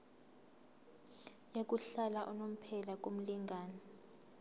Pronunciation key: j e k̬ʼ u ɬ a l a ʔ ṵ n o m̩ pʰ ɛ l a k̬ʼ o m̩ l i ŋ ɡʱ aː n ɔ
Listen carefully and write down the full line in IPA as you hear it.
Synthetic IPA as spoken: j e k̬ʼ u ɬ a l a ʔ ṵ n o m̩ pʰ ɛ l a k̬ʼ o m̩ l i ŋ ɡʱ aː n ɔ